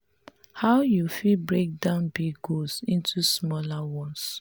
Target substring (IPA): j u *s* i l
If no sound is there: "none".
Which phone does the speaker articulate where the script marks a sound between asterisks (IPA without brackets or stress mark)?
f